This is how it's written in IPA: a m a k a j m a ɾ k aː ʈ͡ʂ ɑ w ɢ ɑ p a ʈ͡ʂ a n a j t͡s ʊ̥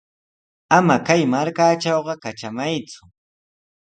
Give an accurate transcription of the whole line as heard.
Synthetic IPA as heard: a m a k a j m a ɾ k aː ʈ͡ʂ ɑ w ɢ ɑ k a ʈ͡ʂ a m a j t͡s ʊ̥